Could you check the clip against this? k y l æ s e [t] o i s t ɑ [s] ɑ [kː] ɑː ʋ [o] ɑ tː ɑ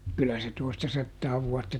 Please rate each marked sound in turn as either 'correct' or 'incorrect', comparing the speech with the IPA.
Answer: correct, correct, incorrect: tː, incorrect: u

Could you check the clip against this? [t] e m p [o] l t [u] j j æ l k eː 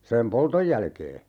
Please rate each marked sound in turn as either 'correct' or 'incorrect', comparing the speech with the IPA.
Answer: incorrect: s, correct, incorrect: o

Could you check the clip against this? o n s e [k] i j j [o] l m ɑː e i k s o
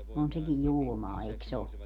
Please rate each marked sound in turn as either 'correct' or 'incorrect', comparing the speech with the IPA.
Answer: correct, incorrect: u

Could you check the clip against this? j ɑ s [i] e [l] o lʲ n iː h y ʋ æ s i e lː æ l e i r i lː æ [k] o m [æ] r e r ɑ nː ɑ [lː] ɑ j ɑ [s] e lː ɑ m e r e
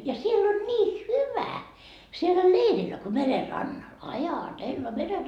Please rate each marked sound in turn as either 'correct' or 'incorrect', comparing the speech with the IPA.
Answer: correct, incorrect: lː, correct, incorrect: e, incorrect: l, incorrect: t

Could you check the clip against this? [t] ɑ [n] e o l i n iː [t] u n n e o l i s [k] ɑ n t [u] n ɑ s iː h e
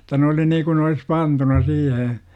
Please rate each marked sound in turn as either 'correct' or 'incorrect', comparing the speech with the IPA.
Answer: correct, correct, incorrect: k, incorrect: p, correct

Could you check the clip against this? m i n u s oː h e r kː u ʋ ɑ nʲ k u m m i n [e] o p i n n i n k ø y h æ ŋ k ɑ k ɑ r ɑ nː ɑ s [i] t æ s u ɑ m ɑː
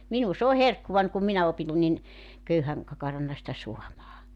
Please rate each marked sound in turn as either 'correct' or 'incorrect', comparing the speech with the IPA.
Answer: incorrect: æ, correct

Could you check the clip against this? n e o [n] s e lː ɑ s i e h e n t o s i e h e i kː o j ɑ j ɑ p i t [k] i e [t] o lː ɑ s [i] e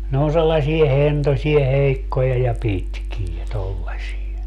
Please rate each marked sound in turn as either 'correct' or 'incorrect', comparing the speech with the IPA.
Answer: correct, correct, correct, correct

